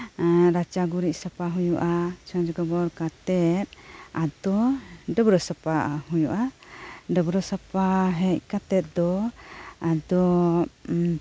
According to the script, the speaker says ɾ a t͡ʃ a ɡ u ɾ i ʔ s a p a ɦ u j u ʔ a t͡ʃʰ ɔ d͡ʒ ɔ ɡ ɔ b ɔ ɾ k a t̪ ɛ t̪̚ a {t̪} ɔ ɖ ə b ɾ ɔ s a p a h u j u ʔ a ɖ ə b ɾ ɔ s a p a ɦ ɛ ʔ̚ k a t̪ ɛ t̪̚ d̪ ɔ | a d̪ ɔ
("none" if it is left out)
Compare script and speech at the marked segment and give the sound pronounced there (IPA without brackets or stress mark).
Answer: d̪